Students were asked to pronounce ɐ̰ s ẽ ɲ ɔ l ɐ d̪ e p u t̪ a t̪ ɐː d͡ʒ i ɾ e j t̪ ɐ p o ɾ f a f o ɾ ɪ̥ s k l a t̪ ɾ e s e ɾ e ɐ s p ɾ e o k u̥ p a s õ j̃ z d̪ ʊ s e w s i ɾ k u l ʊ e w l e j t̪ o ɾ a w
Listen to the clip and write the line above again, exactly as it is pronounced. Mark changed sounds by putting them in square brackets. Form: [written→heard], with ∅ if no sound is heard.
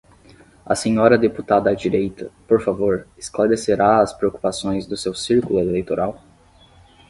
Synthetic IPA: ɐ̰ s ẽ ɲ ɔ [l→ɾ] ɐ d̪ e p u t̪ a [t̪→d̪] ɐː d͡ʒ i ɾ e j t̪ ɐ p o ɾ f a [f→v] o ɾ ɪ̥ s k l a [t̪→∅] ɾ e s e ɾ [e→a] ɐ s p ɾ e o k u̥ p a s õ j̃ z d̪ ʊ s e w s i ɾ k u l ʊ e [w→∅] l e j t̪ o ɾ a w